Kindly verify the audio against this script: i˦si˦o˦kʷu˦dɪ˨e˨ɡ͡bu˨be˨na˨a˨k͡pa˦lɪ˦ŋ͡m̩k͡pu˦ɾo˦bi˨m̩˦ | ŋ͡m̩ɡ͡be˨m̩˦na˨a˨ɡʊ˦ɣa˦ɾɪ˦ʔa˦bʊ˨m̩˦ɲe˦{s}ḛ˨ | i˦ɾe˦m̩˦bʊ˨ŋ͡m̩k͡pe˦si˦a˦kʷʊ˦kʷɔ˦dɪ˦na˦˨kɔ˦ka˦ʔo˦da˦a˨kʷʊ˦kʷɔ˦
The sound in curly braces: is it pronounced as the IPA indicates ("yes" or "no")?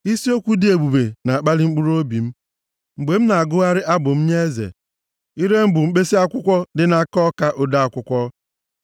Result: no